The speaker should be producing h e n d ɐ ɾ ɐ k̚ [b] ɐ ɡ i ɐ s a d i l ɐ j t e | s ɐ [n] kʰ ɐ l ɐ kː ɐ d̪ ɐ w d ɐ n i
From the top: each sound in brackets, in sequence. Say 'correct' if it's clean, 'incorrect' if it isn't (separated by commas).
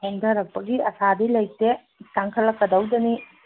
incorrect, incorrect